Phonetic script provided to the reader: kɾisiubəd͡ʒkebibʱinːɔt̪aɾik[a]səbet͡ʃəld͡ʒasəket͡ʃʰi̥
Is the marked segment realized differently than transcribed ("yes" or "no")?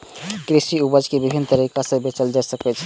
no